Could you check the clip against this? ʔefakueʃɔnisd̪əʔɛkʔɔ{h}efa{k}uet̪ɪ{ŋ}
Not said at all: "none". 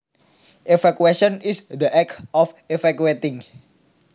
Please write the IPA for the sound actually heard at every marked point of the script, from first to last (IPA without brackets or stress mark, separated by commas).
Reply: f, k, ŋ